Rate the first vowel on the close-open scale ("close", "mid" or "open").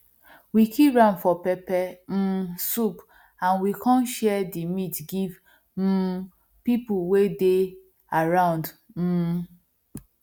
close